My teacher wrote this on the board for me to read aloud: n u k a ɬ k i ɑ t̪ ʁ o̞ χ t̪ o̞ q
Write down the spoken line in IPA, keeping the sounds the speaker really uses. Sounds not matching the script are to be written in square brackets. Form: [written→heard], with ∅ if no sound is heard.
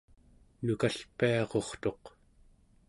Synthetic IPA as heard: n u k a ɬ [k→p] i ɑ [t̪→∅] ʁ o̞ χ t̪ o̞ q